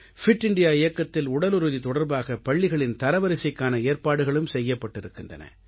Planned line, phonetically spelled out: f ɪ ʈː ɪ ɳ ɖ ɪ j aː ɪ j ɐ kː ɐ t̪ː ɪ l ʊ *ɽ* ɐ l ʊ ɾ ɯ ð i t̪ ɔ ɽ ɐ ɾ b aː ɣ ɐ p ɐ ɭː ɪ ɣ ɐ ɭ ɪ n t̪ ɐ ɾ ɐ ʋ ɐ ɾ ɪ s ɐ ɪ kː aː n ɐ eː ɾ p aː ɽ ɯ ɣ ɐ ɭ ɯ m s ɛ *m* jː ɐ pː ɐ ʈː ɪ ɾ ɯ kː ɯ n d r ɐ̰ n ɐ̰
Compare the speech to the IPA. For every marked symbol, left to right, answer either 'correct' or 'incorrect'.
correct, incorrect: none

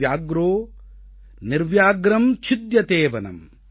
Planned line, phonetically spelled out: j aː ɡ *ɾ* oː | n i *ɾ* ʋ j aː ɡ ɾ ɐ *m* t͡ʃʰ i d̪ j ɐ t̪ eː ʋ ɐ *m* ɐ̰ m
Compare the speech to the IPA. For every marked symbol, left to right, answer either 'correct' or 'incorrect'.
correct, correct, correct, incorrect: n

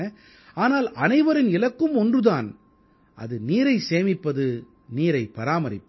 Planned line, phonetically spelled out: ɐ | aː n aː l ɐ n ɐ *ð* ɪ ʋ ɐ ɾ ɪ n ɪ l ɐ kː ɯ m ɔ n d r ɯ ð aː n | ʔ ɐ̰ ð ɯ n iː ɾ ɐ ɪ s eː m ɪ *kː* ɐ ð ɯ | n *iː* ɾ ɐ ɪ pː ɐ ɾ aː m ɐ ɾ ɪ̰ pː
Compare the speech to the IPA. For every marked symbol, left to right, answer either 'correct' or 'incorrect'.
incorrect: none, incorrect: pː, correct

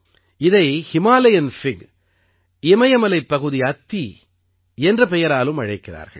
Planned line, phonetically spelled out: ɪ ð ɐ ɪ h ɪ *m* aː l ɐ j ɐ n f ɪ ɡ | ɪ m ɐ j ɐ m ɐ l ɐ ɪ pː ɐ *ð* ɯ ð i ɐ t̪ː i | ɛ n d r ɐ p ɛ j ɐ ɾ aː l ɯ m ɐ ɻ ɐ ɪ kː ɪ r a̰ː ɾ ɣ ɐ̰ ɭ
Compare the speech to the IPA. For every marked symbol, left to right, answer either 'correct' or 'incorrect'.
correct, incorrect: ɣ

